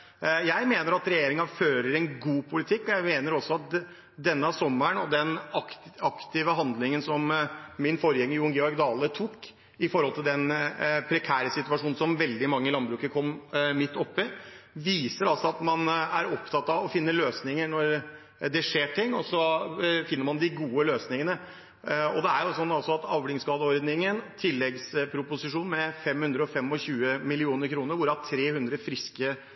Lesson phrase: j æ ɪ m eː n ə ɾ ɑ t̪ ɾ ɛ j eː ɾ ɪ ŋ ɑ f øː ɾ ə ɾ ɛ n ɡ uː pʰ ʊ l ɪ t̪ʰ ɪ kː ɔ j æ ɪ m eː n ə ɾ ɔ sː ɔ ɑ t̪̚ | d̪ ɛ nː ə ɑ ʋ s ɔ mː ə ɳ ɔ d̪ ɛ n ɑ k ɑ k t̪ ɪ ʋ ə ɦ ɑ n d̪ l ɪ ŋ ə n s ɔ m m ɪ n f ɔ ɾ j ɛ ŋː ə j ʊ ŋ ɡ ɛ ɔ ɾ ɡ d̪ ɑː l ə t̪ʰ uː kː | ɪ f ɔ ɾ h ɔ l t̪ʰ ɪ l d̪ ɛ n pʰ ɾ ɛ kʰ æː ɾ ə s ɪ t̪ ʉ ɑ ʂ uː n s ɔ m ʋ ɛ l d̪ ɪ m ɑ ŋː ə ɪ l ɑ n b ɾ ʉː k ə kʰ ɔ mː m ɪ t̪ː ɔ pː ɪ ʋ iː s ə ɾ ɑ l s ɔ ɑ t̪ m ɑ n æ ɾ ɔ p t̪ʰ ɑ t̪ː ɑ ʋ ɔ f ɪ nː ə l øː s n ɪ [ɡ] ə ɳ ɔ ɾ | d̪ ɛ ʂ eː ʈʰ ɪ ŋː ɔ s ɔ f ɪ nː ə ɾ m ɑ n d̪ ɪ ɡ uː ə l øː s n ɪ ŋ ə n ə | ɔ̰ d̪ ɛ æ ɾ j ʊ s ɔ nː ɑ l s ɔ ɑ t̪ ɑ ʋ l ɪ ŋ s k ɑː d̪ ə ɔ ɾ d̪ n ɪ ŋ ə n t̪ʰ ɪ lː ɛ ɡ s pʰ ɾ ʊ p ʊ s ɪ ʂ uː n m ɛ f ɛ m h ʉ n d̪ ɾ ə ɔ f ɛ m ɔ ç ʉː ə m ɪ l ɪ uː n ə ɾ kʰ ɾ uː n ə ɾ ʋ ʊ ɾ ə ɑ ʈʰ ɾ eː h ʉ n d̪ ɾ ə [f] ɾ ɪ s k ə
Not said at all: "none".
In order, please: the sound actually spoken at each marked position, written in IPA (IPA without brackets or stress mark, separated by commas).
ŋ, f